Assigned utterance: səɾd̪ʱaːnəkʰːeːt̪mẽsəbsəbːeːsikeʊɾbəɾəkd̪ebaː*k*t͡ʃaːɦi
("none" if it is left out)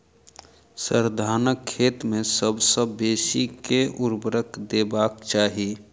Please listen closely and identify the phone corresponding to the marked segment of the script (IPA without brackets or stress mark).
k